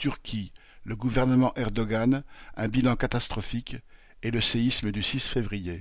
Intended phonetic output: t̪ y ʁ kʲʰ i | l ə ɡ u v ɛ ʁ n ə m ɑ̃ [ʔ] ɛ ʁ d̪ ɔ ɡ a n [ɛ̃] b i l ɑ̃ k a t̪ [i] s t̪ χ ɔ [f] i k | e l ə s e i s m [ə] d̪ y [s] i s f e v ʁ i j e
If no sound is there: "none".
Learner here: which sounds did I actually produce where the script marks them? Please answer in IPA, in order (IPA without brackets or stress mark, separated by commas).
ʔ, ɛ̃, a, f, ə, s